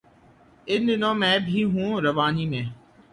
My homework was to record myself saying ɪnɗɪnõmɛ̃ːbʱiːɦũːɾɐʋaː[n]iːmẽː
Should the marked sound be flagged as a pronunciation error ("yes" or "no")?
no